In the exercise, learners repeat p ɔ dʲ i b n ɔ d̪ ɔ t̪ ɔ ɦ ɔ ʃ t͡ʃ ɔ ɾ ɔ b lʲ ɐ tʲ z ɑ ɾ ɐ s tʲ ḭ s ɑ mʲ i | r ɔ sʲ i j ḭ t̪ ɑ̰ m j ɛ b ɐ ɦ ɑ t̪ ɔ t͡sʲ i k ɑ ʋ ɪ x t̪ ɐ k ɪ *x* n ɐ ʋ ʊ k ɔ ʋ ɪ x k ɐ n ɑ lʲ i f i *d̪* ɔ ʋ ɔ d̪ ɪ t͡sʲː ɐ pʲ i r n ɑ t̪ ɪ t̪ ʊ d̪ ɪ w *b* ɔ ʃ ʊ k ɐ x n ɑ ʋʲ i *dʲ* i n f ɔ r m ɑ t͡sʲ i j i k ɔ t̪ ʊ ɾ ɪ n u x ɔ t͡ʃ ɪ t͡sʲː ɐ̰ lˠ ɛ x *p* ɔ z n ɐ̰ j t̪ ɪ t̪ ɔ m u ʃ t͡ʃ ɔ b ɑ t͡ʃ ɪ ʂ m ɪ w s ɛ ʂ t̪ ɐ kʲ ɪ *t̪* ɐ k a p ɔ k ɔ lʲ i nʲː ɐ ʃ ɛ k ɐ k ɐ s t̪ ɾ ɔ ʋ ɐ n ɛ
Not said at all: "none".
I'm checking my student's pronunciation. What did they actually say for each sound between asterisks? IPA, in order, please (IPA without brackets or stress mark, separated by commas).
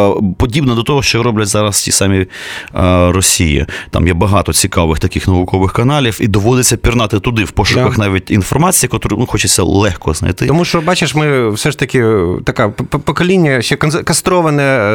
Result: x, d̪, p, tʲ, k, t̪